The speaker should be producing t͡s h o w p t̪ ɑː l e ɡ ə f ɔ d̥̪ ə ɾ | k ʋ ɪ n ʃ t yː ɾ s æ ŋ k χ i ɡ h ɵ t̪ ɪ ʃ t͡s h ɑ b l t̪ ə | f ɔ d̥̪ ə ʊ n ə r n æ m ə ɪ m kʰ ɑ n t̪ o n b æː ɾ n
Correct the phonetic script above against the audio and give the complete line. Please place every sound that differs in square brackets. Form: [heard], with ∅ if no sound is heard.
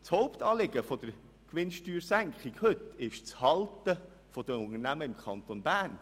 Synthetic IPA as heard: t͡s h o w p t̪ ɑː l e ɡ ə f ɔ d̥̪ ə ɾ | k ʋ ɪ n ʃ t yː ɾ s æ ŋ k χ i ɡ h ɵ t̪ ɪ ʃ t͡s h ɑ [∅] l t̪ ə | f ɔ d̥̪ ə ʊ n ə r n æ m ə ɪ m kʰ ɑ n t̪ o n b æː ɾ n